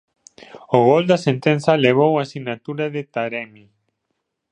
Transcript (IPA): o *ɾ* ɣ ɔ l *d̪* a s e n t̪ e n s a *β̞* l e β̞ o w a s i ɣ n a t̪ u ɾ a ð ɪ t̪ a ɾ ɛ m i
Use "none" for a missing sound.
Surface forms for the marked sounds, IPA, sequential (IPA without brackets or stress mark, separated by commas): none, d̪, none